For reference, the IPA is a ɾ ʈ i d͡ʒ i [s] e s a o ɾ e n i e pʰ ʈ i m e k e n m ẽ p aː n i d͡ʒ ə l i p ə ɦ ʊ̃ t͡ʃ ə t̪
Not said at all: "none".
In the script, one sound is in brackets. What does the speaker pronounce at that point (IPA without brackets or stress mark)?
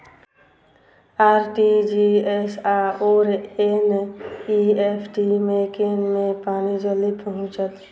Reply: none